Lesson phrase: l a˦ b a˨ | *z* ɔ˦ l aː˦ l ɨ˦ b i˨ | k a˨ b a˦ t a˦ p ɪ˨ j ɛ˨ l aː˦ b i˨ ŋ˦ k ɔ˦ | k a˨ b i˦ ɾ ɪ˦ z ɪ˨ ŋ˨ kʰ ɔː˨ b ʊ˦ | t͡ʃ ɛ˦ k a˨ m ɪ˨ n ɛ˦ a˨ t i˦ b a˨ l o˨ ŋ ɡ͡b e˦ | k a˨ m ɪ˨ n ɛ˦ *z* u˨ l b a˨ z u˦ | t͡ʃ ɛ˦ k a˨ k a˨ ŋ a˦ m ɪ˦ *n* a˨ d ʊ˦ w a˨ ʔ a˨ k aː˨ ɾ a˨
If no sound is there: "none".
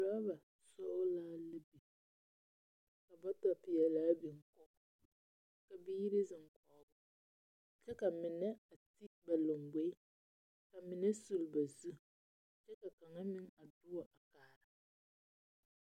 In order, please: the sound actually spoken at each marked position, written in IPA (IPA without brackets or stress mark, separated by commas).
s, s, ŋ